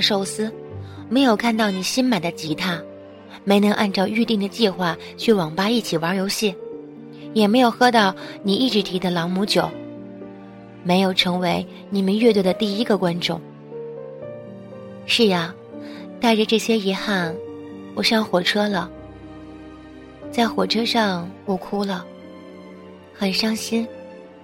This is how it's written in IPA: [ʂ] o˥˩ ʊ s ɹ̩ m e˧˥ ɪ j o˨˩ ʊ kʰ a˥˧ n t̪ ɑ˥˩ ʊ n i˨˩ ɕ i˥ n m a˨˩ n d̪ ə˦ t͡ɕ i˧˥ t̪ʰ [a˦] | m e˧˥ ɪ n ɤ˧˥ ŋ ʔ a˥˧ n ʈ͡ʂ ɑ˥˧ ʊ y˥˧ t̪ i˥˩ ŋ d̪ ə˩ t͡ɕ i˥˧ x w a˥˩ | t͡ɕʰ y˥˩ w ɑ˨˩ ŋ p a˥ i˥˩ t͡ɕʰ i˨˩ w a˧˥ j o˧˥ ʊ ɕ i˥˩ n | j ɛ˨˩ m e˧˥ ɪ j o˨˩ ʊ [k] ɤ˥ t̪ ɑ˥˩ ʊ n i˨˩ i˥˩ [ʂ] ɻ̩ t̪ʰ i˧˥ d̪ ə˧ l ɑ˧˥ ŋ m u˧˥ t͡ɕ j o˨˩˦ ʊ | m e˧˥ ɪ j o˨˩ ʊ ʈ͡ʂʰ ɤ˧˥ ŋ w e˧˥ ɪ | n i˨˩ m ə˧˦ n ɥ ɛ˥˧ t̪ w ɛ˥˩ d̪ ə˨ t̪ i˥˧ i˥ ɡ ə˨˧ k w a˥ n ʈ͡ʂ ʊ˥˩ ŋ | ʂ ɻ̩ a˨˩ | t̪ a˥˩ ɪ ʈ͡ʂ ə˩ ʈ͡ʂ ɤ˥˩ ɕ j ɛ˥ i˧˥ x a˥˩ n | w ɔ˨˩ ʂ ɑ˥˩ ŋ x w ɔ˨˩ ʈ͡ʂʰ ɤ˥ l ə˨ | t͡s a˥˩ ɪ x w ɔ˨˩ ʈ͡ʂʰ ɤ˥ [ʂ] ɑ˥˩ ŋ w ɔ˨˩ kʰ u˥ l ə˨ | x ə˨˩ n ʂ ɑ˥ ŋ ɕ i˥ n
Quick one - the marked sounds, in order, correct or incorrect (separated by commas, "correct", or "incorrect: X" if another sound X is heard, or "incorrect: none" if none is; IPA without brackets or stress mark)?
correct, incorrect: a˥˩, incorrect: x, incorrect: ʈ͡ʂ, correct